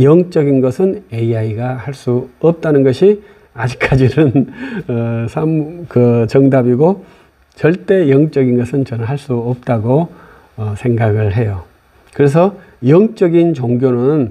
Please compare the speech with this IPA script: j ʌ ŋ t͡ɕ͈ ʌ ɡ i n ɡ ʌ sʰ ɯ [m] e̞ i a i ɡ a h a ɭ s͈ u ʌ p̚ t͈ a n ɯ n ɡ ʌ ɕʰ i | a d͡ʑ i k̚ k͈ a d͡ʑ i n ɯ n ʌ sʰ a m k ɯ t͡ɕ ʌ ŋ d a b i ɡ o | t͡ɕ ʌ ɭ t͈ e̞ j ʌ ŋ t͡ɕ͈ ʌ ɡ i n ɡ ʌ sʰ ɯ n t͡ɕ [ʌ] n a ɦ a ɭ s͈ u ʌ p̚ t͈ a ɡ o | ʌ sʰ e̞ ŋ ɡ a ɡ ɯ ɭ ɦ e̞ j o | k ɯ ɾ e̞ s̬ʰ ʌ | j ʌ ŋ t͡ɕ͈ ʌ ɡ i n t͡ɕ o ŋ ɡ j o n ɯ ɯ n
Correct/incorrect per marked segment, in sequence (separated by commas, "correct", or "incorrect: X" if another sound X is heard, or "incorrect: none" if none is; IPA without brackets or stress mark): incorrect: n, correct